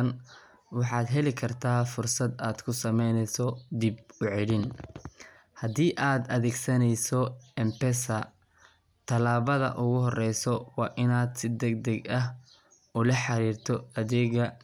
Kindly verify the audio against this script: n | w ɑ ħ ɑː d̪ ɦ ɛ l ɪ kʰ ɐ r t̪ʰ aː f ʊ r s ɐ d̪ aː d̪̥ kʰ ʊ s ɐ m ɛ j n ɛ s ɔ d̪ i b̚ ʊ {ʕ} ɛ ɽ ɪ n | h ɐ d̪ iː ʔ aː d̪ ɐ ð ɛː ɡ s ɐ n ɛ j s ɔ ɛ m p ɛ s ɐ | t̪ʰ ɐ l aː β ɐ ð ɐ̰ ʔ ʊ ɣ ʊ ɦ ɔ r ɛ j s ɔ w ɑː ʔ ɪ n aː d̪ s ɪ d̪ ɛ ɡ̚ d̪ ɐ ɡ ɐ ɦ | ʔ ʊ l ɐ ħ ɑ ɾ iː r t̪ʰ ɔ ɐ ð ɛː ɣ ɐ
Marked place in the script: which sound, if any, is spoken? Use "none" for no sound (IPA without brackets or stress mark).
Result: ʕ